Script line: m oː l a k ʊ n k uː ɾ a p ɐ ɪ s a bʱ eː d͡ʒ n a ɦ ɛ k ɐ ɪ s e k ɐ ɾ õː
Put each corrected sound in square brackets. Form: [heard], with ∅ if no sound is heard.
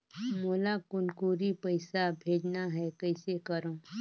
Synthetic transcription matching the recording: m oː l a k ʊ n k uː ɾ [i] p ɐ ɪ s a bʱ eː d͡ʒ n a ɦ ɛ k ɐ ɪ s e k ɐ ɾ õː